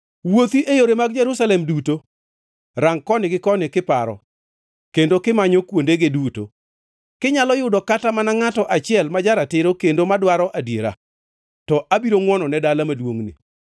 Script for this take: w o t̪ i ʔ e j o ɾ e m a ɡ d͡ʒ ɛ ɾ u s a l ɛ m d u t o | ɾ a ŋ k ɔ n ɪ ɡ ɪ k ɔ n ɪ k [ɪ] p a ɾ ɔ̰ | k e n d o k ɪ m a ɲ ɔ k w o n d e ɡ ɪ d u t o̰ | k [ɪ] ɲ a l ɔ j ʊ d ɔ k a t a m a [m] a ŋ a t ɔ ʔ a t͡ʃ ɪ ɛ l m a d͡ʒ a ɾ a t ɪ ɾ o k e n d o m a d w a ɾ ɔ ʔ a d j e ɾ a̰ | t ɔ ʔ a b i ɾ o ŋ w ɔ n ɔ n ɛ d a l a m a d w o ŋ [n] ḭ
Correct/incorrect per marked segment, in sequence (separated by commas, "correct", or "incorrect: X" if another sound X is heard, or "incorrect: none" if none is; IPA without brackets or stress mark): correct, correct, incorrect: n, correct